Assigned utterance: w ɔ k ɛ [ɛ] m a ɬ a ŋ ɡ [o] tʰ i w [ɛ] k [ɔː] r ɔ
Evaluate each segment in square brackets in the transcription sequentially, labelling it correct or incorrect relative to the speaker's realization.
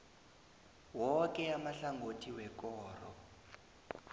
incorrect: a, correct, correct, correct

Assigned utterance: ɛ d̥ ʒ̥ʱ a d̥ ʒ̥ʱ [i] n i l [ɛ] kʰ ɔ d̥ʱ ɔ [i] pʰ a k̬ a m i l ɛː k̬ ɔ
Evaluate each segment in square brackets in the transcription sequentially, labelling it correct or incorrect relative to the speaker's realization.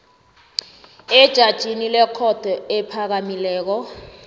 correct, correct, incorrect: ɛ

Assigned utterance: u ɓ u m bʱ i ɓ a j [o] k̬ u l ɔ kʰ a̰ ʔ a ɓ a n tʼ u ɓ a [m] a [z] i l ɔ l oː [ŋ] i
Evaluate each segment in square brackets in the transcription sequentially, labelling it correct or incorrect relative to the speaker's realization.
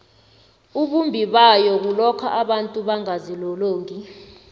incorrect: ɔ, incorrect: ŋ, correct, correct

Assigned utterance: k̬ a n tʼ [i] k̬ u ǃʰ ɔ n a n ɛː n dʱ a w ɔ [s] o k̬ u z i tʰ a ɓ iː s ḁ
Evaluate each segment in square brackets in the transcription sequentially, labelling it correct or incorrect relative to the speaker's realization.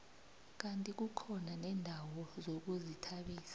correct, incorrect: z

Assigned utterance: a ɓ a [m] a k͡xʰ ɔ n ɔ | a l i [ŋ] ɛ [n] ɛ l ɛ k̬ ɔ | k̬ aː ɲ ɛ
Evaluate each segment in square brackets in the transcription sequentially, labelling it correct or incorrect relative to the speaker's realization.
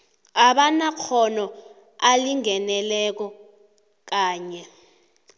incorrect: n, correct, correct

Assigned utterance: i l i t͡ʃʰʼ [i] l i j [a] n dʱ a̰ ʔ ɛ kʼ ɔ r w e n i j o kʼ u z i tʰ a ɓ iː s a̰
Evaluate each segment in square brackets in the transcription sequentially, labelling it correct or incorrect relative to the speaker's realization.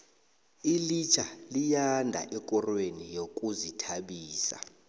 incorrect: a, correct

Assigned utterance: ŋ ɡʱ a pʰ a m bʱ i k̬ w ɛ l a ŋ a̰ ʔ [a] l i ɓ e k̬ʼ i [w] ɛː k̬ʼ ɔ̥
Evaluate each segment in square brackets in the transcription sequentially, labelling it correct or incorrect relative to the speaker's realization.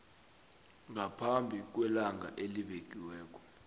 incorrect: e, correct

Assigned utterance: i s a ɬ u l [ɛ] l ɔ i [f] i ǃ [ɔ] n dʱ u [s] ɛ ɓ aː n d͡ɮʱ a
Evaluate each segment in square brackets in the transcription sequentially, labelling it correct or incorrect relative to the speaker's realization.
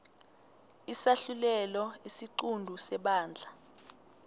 correct, incorrect: s, incorrect: u, correct

